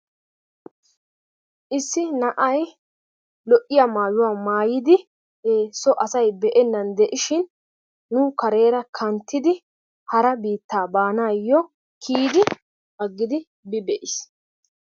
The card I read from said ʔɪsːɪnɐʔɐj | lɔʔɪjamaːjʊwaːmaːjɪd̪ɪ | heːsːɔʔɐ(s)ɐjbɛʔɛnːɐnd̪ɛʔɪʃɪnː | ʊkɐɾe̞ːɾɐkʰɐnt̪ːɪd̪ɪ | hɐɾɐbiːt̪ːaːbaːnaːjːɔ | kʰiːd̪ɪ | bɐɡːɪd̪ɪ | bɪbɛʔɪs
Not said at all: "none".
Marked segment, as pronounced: s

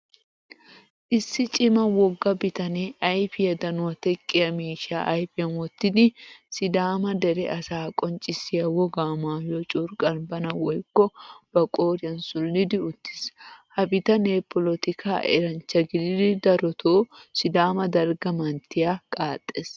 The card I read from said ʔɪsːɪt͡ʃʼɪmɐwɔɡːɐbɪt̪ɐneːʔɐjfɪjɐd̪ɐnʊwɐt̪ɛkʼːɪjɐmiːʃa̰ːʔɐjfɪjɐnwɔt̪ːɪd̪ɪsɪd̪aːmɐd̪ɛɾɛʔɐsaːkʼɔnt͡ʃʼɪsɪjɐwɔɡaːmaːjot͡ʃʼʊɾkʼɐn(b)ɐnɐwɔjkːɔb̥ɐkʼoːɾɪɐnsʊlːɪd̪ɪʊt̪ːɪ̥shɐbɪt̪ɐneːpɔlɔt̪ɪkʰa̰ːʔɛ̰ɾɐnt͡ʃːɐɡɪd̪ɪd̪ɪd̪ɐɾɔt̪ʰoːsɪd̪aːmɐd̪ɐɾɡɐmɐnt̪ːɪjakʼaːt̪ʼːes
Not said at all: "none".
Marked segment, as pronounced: b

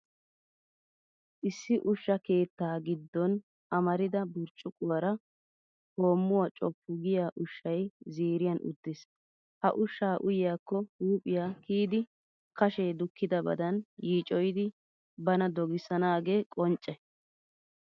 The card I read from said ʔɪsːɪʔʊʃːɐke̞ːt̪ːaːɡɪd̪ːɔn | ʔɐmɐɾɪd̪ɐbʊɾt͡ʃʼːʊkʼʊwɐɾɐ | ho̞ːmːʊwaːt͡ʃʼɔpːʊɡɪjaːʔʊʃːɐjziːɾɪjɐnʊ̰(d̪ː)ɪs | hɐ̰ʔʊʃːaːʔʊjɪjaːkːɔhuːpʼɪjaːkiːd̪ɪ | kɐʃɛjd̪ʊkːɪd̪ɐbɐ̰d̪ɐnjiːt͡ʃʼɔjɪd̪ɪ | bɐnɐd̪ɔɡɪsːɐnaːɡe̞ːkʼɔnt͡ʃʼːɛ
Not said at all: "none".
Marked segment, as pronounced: d̪ː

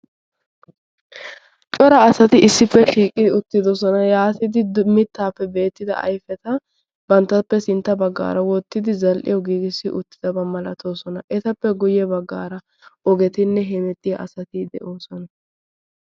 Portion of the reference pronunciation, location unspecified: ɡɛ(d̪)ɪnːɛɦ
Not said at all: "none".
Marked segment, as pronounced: t̪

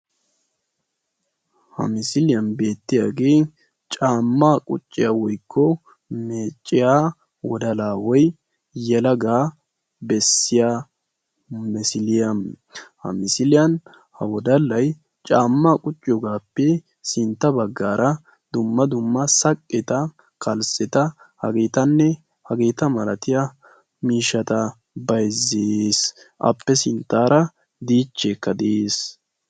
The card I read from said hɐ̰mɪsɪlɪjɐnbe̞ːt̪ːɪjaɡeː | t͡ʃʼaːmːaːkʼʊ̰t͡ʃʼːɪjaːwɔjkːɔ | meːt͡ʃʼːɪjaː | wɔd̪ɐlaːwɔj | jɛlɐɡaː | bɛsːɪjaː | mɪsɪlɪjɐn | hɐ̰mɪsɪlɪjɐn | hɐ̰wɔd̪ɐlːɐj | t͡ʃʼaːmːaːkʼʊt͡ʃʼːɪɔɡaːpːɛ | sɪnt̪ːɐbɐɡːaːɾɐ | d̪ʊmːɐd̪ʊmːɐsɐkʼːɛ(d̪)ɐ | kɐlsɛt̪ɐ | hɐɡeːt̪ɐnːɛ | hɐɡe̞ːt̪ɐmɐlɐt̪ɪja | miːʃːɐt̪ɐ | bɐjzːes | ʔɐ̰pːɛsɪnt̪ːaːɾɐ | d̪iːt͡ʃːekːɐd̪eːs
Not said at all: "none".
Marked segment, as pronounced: t̪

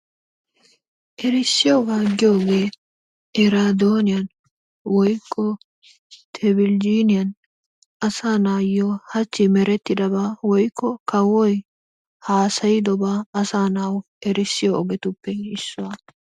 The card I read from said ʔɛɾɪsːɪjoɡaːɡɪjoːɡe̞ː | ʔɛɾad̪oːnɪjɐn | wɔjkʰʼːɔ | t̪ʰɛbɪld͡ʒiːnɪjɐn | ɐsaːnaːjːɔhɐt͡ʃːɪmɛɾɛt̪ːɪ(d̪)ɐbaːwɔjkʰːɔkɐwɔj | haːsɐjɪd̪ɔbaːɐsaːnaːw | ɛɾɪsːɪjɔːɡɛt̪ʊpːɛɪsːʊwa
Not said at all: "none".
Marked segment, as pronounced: d̪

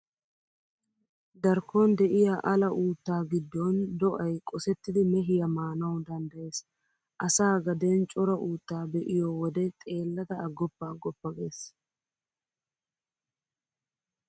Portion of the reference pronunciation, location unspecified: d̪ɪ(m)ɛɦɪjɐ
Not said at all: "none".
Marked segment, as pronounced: m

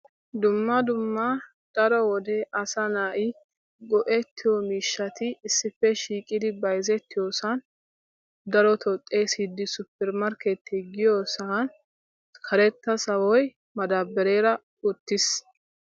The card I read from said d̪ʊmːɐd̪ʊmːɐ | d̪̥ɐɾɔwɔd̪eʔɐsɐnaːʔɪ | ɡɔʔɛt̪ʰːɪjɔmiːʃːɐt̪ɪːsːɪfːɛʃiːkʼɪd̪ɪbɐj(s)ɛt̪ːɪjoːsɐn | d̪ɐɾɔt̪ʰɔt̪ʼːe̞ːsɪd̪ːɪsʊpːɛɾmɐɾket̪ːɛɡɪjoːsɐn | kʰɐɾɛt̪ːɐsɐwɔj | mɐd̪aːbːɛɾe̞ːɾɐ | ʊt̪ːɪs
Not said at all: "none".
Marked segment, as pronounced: z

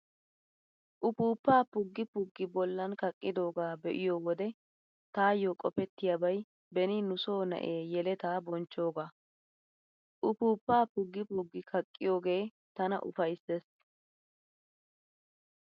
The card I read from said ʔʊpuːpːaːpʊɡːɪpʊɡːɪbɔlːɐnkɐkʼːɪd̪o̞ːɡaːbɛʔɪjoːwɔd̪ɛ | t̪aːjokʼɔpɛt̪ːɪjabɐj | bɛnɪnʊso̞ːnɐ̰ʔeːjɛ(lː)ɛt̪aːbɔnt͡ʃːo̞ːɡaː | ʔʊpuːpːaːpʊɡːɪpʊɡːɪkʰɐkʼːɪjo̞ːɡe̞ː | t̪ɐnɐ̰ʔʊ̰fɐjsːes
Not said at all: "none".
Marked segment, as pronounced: l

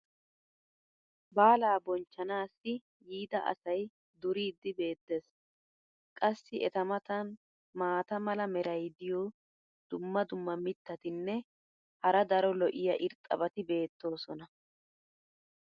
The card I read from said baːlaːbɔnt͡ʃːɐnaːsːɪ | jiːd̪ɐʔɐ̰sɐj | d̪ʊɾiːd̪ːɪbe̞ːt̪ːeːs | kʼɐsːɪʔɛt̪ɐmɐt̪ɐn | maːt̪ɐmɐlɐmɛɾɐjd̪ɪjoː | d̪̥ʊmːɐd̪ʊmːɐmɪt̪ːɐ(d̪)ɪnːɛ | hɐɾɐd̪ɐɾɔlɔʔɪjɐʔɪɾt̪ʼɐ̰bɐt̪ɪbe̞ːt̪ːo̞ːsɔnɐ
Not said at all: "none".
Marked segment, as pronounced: t̪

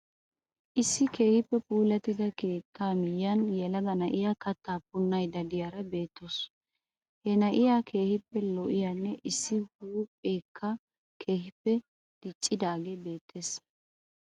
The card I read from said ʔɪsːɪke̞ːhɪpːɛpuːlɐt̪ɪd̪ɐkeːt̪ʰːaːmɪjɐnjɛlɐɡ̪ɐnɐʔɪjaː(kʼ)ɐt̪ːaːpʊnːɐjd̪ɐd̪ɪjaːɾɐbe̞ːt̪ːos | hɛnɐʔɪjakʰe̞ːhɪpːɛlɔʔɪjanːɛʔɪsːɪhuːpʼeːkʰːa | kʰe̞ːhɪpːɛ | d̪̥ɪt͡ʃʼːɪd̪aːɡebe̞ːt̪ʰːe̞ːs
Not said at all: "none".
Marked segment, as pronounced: k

